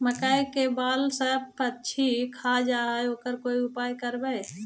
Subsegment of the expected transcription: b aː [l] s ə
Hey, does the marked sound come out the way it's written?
yes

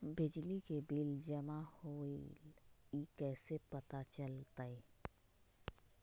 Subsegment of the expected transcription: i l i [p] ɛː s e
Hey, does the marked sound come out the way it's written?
no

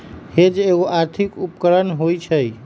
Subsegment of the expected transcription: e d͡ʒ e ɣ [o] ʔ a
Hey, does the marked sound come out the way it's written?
yes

